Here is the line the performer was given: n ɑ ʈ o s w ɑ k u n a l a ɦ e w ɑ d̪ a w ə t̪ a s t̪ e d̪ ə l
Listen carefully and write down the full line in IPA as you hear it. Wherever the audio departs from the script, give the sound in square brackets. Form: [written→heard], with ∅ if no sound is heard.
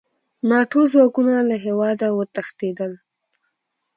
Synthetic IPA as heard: n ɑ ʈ o [s→z] w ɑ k u n a l a ɦ e w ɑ d̪ a w ə t̪ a [s→x] t̪ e d̪ ə l